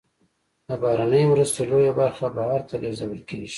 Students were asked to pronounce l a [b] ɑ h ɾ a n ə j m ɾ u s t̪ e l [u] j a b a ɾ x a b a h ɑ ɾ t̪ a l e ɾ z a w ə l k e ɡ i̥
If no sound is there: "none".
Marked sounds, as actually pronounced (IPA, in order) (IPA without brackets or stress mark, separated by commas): b, o